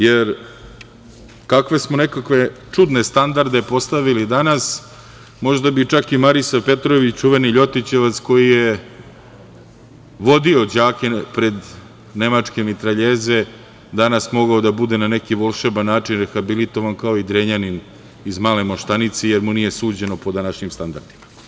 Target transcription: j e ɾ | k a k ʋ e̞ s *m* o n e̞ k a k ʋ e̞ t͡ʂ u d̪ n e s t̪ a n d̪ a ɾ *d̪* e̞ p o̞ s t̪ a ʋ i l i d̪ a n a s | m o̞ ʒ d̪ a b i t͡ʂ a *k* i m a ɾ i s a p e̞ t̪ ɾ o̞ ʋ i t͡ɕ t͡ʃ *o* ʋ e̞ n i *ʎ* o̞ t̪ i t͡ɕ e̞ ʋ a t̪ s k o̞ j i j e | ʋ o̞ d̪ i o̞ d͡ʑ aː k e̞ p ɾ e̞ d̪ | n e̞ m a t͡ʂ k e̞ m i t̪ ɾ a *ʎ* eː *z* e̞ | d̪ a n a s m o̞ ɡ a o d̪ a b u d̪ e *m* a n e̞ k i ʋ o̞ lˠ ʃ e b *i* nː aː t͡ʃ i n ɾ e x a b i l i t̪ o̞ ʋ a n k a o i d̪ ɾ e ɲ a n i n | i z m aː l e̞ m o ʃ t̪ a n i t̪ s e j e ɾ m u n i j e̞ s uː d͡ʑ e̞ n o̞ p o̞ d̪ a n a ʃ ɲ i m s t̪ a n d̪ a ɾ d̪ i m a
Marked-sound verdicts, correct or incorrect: correct, correct, correct, incorrect: u, correct, correct, correct, incorrect: n, incorrect: a

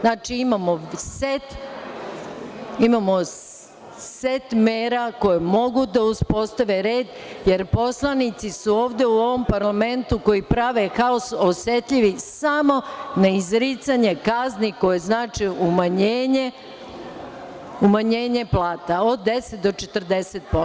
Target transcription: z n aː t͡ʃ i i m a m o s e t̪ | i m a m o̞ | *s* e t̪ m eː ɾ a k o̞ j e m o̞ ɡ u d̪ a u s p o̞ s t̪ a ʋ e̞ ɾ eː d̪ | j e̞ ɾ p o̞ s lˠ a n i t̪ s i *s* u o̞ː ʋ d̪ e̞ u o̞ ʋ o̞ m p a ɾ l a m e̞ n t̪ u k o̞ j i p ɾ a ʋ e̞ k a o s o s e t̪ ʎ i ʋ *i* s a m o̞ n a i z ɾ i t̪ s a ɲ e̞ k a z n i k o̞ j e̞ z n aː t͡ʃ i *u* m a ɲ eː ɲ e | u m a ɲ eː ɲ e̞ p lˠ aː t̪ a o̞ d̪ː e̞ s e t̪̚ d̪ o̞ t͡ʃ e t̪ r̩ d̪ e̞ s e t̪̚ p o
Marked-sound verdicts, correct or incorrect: correct, correct, correct, correct

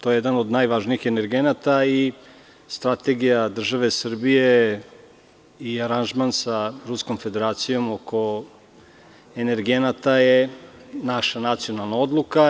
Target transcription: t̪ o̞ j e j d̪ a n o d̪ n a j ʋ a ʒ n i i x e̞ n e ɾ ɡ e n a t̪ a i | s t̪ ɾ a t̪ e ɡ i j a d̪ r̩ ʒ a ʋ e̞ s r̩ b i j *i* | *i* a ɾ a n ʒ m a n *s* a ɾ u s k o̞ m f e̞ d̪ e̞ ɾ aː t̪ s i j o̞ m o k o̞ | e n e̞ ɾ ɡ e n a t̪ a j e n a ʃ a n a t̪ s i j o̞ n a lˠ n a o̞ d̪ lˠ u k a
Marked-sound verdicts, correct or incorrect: incorrect: e, correct, correct

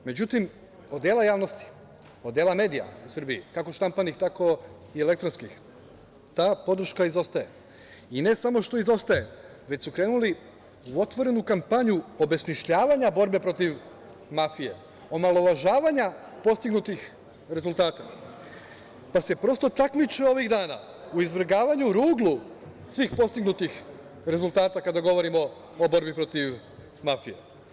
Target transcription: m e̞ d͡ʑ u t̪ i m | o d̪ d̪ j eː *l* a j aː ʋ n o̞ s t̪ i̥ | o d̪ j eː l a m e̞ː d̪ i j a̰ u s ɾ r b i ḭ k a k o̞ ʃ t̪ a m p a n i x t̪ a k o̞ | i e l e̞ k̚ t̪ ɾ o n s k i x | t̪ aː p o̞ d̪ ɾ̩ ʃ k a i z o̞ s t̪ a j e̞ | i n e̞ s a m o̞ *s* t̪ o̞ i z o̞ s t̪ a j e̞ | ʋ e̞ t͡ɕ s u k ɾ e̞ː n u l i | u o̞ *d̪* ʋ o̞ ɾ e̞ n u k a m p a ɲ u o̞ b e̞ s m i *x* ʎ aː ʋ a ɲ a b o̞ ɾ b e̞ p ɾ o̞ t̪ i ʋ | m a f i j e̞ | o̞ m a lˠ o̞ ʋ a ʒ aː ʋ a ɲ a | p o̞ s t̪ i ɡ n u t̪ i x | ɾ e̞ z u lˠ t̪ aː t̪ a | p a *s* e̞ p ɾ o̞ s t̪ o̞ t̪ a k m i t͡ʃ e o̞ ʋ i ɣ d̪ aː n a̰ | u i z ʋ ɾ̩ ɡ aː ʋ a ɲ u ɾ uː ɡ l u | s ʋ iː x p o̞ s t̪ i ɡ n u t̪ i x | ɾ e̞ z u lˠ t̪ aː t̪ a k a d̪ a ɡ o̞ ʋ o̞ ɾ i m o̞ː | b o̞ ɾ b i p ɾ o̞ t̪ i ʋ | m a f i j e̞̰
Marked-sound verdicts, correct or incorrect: correct, incorrect: ʃ, incorrect: t̪, incorrect: ʃ, correct

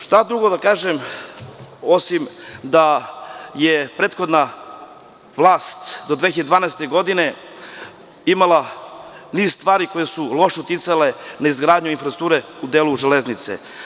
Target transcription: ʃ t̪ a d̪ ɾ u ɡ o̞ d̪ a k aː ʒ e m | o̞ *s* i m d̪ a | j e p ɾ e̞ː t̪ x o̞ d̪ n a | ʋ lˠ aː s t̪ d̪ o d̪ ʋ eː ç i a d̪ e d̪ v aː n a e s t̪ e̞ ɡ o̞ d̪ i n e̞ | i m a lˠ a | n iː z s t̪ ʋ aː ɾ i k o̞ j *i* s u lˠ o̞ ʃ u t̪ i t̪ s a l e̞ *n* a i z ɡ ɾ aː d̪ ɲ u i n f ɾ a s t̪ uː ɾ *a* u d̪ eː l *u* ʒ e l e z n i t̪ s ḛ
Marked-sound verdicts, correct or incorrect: correct, incorrect: e, correct, incorrect: e, correct

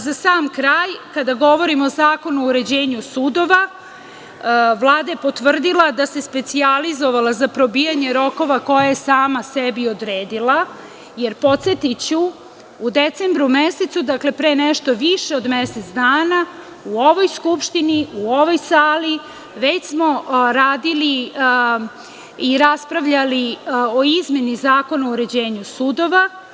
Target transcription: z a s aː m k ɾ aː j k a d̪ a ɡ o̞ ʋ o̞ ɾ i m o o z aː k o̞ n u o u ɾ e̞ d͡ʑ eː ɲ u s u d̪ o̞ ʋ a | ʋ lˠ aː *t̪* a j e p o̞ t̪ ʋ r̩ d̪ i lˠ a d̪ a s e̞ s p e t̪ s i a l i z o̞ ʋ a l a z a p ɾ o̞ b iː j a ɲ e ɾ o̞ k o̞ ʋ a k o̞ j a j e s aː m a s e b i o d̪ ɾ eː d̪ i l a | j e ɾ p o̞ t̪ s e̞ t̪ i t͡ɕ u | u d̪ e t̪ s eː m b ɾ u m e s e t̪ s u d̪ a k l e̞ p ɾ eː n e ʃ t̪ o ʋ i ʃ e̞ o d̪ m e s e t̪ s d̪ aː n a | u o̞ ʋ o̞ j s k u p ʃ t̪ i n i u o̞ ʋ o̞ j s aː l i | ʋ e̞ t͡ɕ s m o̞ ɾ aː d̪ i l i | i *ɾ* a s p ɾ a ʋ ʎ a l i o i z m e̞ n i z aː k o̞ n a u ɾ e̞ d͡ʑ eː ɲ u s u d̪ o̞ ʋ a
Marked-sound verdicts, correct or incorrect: incorrect: d̪, correct

